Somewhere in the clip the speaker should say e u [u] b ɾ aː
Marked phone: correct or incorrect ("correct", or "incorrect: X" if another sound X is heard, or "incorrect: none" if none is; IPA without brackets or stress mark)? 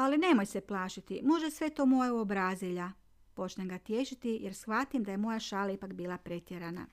incorrect: o